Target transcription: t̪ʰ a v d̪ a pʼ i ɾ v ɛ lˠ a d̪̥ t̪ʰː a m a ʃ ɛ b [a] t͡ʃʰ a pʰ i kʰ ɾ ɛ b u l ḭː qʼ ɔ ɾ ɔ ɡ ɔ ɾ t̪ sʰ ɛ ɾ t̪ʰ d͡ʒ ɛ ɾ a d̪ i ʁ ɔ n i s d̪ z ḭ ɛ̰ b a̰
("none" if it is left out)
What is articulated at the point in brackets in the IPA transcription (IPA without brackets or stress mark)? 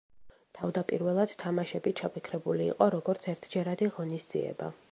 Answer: i